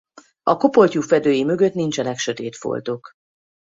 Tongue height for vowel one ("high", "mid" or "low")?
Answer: low